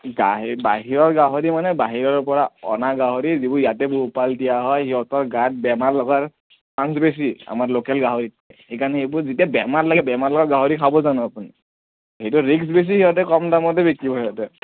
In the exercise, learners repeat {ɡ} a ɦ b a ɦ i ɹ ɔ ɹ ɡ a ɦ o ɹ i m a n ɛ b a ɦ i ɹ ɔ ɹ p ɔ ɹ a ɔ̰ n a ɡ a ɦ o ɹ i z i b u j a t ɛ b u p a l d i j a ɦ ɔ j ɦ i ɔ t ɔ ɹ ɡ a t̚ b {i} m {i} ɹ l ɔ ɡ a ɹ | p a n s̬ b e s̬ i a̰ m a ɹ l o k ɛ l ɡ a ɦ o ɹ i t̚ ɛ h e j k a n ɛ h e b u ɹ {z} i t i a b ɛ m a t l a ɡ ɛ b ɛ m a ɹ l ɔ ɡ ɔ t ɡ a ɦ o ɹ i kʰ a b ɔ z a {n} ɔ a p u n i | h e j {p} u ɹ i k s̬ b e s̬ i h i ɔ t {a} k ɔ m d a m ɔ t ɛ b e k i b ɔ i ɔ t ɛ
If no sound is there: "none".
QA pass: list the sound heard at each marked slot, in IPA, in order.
ɡ, ɛ, a, z, n, t, ɛ

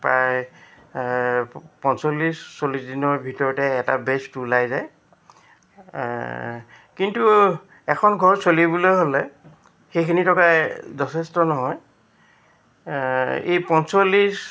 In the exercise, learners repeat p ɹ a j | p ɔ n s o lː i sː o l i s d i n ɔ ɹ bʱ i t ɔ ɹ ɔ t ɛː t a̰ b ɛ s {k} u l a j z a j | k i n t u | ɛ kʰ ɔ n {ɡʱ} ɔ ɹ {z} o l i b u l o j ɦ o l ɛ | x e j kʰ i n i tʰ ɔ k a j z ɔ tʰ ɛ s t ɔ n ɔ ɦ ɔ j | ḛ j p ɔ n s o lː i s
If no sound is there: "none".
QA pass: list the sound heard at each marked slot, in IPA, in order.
t, ɡʱ, s

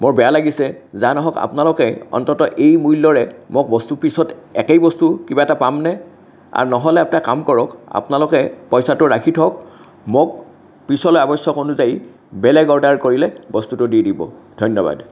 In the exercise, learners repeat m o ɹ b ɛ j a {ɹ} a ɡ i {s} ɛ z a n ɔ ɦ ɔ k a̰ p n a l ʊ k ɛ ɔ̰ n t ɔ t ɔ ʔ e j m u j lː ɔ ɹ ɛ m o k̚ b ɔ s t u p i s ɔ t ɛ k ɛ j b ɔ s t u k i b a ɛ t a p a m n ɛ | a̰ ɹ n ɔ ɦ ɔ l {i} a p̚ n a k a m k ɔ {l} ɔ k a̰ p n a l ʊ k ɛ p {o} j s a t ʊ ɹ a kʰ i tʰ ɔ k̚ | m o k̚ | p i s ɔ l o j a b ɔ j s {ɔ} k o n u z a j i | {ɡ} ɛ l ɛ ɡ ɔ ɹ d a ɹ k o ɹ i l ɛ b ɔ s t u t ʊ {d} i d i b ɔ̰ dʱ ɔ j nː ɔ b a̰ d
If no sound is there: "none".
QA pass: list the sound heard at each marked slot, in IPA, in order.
l, s, ɛ, ɹ, ɔ, ɔ, b, d

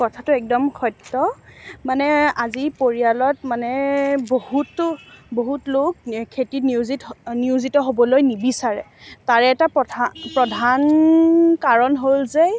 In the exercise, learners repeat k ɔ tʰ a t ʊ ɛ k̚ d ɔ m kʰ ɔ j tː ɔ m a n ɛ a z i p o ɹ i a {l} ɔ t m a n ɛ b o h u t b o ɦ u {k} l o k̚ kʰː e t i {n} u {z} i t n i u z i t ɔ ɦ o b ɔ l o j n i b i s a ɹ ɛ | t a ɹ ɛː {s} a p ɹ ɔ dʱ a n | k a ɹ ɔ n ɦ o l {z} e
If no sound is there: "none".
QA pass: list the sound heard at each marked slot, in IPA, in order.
l, t, n, z, t, z

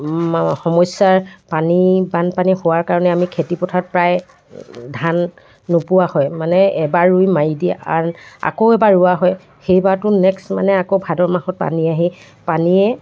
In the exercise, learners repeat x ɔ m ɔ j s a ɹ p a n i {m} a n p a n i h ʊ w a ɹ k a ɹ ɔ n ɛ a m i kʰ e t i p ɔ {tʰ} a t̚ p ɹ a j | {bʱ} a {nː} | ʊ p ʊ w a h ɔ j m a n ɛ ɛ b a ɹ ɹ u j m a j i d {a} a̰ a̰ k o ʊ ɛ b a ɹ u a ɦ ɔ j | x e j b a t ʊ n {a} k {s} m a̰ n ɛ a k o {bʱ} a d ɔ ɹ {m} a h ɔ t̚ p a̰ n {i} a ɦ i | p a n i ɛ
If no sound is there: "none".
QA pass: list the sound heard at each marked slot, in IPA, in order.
b, tʰ, dʱ, nː, i, ɛ, s, bʱ, m, i

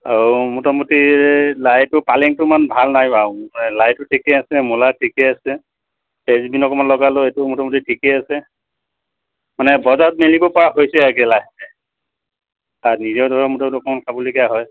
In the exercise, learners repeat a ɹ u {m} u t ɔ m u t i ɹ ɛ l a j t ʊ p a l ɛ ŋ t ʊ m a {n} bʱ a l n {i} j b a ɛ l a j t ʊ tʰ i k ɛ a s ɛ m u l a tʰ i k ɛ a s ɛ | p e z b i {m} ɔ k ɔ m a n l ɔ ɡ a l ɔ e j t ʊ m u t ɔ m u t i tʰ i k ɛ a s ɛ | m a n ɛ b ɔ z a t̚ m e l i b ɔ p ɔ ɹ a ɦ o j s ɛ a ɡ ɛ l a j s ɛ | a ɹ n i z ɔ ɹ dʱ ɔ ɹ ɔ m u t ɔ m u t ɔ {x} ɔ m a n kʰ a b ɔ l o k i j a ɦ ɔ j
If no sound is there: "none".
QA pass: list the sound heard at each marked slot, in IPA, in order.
m, n, a, n, k

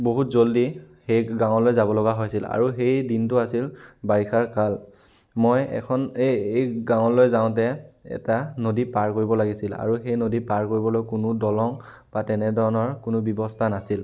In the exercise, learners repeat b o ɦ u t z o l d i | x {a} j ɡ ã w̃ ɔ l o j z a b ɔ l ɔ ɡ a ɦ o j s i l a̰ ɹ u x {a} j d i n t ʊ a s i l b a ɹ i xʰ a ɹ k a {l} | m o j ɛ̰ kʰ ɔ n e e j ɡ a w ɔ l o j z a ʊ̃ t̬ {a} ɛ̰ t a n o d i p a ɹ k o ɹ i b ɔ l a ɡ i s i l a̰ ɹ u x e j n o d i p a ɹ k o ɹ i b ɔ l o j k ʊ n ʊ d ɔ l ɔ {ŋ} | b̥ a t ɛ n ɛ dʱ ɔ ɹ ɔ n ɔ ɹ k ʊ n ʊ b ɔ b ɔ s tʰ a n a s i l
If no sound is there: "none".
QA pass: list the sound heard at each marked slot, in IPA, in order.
e, e, l, ɛ, ŋ

